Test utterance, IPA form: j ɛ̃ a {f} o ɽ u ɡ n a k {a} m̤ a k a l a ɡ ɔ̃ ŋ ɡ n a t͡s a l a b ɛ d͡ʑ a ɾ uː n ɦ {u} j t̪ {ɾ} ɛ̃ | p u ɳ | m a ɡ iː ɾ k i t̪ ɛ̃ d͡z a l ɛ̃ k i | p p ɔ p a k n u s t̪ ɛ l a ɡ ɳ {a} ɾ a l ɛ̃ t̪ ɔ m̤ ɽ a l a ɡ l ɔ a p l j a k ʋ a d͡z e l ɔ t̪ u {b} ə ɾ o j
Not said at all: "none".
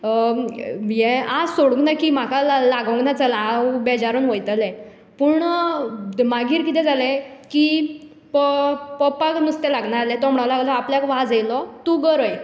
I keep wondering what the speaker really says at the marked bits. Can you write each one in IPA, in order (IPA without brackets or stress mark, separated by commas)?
s, i, o, l, a, ɡ